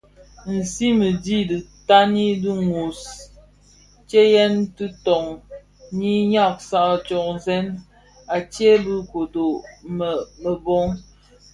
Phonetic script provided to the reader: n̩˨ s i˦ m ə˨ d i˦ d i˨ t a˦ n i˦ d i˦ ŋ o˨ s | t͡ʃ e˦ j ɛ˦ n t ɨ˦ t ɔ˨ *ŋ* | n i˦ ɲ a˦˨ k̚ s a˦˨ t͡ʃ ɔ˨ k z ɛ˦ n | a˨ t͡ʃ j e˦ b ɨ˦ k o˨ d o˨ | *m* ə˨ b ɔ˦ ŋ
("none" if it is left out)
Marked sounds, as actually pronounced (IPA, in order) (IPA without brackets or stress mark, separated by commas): ŋ, m